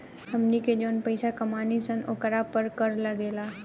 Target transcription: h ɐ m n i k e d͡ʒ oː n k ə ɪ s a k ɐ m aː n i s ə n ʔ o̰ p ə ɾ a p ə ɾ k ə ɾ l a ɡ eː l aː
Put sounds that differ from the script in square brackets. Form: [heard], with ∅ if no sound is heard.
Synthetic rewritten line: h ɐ m n i k e d͡ʒ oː n [p] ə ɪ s a k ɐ m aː n i s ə n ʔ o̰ [k] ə ɾ a p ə ɾ k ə ɾ l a ɡ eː l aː

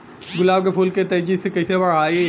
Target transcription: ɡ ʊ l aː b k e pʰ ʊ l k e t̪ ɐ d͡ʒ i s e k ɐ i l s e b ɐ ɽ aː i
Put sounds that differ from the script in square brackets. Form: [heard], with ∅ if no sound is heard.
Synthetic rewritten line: ɡ ʊ l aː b k e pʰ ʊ l k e t̪ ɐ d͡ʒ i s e k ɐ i [∅] s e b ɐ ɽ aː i

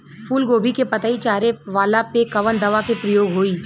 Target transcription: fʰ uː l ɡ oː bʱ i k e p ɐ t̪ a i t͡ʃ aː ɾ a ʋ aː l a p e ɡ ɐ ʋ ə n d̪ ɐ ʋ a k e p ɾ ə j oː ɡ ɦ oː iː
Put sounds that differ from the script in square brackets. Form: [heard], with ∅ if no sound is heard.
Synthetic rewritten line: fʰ uː l ɡ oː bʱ i k e p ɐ t̪ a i t͡ʃ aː ɾ [e] ʋ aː l a p e [k] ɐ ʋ ə n d̪ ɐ ʋ a k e p ɾ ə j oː ɡ ɦ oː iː

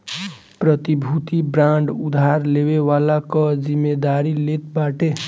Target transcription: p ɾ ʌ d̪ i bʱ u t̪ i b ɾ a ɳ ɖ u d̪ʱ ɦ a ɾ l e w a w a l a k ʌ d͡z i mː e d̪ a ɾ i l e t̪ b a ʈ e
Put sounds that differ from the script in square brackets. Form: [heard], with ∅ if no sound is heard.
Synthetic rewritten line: p ɾ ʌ [t̪] i bʱ u t̪ i b ɾ a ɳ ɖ u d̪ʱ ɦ a ɾ l e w [e] w a l a k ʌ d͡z i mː e d̪ a ɾ i l e t̪ b a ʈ e

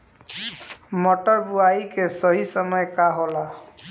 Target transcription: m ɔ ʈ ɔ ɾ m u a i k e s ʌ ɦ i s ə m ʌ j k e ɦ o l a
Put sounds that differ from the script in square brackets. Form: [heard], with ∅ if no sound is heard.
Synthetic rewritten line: m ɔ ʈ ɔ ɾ [b] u a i k e s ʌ ɦ i s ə m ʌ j k [a] ɦ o l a

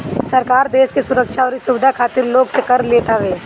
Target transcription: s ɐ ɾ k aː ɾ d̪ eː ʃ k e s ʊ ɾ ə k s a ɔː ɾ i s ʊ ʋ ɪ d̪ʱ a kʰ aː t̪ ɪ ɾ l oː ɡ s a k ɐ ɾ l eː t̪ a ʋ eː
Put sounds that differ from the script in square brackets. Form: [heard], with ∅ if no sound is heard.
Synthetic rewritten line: s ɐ ɾ k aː ɾ d̪ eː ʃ k e s ʊ ɾ ə k [ʃ] a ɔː ɾ i s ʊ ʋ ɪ d̪ʱ a kʰ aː t̪ ɪ ɾ l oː ɡ s [e] k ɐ ɾ l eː t̪ a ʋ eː

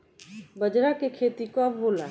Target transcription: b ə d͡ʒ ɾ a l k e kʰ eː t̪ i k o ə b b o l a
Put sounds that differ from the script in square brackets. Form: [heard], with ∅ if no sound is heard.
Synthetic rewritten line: b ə d͡ʒ ɾ a [∅] k e kʰ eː t̪ i k o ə b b o l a

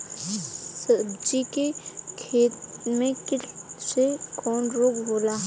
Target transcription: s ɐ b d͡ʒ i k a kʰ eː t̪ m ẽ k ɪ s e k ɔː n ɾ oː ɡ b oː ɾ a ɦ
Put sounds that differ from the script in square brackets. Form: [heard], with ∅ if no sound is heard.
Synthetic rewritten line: s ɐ b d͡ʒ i k [e] kʰ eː t̪ m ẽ k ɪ s e k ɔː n ɾ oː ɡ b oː [l] a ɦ

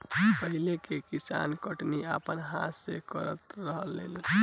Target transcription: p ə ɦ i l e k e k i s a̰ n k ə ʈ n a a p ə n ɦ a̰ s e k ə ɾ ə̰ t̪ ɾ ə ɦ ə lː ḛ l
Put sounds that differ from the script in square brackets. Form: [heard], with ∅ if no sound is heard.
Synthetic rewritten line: p ə ɦ i l e k e k i s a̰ n k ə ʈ n [i] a p ə n ɦ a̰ s e k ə ɾ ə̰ t̪ ɾ ə ɦ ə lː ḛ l

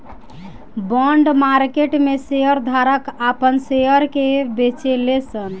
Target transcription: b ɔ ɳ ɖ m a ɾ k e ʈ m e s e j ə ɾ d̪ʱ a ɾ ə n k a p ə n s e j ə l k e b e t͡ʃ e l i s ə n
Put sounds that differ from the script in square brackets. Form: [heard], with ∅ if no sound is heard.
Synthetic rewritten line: b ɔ ɳ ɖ m a ɾ k e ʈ m e s e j ə ɾ d̪ʱ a ɾ ə [∅] k a p ə n s e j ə [ɾ] k e b e t͡ʃ e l [e] s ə n

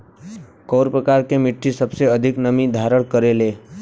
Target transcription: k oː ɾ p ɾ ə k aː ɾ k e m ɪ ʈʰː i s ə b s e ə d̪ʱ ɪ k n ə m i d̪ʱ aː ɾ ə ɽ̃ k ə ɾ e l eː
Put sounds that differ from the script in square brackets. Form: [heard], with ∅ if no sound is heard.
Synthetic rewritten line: k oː ɾ p ɾ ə k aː ɾ k e m ɪ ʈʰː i s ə b s e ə d̪ʱ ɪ k n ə m i d̪ʱ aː ɾ ə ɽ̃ k ə ɾ e l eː

